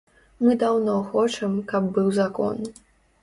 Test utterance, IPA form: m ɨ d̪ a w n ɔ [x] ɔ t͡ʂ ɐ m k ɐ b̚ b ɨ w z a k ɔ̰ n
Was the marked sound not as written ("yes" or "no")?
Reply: no